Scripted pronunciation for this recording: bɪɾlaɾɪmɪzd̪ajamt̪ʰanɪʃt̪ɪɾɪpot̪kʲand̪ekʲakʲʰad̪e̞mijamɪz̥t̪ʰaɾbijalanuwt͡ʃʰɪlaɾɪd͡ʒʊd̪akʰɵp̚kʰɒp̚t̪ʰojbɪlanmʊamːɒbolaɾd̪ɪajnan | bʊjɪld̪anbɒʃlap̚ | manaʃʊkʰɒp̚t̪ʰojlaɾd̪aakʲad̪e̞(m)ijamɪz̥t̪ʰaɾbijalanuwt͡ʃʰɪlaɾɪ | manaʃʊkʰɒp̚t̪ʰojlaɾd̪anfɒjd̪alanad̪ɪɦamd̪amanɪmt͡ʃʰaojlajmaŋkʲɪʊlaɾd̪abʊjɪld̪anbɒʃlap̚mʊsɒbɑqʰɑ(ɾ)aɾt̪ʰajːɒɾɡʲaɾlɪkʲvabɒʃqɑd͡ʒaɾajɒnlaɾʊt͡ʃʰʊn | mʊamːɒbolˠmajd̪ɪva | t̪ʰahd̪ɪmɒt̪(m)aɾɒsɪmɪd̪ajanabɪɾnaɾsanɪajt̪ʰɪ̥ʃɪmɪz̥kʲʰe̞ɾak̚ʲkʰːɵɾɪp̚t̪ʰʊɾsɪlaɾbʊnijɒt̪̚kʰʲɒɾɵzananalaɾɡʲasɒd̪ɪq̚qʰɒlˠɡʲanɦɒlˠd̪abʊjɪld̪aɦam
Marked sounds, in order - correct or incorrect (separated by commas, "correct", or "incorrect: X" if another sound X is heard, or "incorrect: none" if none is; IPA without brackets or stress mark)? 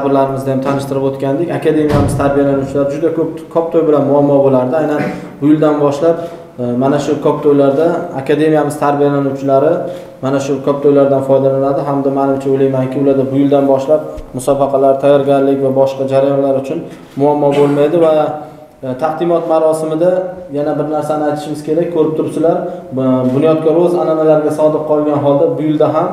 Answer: correct, incorrect: l, correct